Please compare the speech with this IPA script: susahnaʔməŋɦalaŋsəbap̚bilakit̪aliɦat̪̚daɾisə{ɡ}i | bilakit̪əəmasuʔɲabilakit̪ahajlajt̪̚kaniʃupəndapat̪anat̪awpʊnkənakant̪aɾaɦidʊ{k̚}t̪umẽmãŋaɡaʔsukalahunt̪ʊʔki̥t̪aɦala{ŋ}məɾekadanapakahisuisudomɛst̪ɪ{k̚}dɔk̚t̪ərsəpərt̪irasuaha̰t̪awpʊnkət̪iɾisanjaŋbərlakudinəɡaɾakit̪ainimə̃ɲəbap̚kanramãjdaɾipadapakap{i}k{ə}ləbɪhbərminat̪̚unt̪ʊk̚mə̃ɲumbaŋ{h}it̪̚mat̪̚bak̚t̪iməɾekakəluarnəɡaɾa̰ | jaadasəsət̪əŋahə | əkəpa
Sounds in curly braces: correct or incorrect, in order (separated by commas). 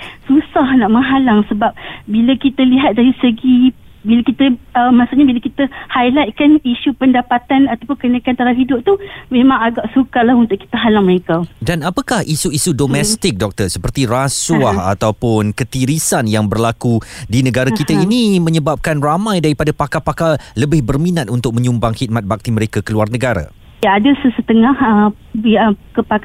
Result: correct, incorrect, correct, correct, incorrect, incorrect, correct